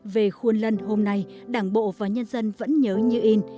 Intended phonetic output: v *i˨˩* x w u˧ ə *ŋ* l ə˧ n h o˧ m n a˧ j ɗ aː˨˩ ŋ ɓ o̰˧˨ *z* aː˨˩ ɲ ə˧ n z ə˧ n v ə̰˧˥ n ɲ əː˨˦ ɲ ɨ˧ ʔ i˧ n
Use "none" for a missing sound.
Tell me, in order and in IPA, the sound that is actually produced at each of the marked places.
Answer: e˨˩, n, v

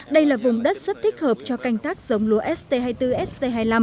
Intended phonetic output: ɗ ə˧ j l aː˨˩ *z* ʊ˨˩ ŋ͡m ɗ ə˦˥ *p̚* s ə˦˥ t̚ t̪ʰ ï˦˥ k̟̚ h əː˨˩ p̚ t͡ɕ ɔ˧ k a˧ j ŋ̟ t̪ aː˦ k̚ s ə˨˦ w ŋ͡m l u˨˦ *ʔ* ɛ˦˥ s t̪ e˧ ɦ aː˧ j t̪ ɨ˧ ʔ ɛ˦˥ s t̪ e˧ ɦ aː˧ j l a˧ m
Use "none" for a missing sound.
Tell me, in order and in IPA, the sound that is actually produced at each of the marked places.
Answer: v, t̚, ʔ

